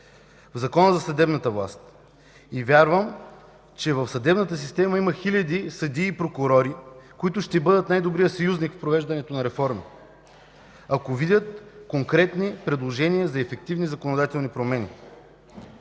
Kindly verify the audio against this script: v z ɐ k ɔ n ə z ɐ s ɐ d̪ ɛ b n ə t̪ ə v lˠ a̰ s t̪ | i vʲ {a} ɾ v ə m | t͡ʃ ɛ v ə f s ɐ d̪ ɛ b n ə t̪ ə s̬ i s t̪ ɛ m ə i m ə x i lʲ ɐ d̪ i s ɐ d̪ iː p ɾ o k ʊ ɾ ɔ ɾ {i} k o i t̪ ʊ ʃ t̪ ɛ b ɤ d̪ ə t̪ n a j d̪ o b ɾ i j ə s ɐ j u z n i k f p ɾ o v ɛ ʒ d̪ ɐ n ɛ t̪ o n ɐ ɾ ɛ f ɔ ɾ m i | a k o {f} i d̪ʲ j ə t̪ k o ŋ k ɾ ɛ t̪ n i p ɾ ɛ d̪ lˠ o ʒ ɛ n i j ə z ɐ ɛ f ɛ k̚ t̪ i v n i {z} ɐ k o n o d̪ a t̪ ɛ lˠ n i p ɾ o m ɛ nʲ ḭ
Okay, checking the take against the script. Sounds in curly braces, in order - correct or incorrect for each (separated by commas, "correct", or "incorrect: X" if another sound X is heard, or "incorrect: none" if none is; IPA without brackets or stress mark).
correct, correct, incorrect: v, correct